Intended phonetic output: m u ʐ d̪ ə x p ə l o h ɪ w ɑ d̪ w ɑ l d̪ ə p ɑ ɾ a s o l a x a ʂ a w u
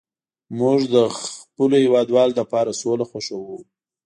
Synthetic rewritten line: m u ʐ d̪ ə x p ə l o h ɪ w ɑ d̪ w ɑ l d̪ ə p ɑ ɾ a s o l a x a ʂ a w u